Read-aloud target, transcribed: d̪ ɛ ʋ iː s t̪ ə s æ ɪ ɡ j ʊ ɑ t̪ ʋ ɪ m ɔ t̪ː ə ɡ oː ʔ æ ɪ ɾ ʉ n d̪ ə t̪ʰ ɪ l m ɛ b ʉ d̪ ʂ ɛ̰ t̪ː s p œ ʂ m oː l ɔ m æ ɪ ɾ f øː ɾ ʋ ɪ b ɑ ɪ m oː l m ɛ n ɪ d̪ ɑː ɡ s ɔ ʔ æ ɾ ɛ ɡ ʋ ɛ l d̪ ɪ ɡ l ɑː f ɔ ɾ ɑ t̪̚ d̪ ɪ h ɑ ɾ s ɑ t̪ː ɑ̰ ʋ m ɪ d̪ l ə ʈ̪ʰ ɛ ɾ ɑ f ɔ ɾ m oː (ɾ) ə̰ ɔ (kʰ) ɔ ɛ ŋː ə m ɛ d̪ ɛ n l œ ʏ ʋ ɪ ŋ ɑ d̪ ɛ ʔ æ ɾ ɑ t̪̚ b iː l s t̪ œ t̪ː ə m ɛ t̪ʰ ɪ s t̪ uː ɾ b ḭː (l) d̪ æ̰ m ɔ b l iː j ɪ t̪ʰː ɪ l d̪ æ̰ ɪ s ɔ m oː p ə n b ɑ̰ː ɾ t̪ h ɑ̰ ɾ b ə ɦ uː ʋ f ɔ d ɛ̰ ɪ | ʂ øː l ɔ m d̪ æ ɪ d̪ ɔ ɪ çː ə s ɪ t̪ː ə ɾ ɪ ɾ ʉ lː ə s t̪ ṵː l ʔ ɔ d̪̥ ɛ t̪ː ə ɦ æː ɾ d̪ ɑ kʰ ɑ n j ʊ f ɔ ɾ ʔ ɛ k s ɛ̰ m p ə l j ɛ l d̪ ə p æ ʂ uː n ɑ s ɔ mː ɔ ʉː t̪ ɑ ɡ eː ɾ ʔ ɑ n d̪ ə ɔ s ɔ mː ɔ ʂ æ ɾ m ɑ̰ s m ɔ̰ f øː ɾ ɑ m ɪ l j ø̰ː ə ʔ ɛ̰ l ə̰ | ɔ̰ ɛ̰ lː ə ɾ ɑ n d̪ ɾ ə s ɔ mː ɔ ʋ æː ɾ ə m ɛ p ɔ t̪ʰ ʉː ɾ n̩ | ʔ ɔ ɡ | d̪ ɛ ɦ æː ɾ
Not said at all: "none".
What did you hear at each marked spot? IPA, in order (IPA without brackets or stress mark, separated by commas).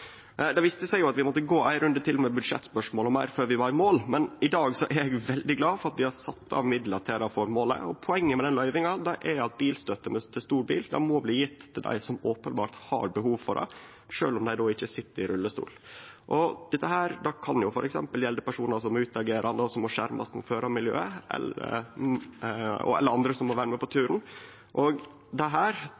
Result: l, pʰ, l